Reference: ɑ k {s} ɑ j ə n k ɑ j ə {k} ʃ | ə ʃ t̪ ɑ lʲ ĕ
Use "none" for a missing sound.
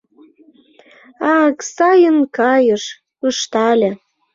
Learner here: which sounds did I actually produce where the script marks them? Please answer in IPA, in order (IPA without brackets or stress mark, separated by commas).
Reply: s, none